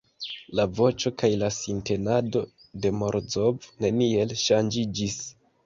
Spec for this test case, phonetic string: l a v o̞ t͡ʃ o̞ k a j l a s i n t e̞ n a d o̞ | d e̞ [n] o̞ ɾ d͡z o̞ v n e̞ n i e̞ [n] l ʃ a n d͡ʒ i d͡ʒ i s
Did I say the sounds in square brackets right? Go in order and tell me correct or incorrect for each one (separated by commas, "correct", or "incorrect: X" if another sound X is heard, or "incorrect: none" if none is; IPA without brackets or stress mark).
incorrect: m, incorrect: none